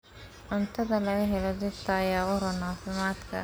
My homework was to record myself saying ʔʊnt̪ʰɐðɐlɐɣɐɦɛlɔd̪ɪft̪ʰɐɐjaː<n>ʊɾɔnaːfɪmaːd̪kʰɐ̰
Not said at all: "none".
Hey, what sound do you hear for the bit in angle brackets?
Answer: none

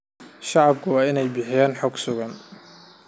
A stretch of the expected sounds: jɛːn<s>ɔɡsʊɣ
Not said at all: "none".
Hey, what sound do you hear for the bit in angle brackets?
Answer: ħ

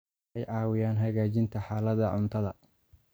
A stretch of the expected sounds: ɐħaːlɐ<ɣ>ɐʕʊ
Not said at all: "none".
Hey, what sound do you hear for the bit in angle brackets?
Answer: ð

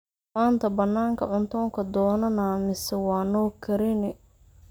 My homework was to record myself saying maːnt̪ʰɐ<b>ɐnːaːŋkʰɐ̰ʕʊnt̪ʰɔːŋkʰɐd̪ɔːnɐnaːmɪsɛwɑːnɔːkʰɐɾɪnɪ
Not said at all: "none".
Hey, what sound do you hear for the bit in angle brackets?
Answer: b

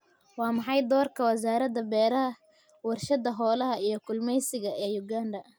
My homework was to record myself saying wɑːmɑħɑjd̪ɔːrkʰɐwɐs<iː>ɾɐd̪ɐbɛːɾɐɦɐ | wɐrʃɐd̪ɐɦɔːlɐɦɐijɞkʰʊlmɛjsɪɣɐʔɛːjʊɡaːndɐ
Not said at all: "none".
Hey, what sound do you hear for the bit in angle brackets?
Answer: aː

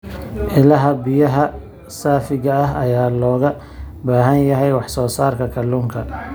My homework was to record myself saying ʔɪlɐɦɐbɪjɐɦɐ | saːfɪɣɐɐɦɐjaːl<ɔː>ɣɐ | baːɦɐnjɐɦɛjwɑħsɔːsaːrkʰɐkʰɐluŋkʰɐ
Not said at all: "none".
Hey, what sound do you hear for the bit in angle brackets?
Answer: ɔː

